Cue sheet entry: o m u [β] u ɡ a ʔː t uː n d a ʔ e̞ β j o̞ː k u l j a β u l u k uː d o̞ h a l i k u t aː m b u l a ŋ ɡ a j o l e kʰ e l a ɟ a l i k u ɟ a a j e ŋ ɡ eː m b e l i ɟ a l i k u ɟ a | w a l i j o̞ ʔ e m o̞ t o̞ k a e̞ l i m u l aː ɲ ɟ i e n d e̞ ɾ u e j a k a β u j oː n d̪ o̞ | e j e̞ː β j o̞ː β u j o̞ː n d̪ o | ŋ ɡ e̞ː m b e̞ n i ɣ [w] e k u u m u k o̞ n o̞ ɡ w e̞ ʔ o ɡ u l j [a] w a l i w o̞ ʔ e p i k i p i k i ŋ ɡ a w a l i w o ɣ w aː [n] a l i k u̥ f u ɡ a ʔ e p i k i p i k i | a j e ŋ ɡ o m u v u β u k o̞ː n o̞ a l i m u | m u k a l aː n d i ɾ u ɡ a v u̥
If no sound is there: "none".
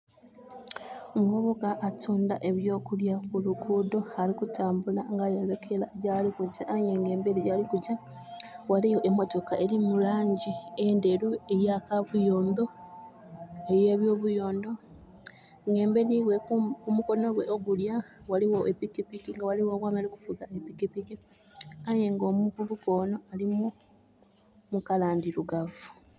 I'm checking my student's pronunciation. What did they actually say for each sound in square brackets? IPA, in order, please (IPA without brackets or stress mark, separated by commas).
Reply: β, w, a, m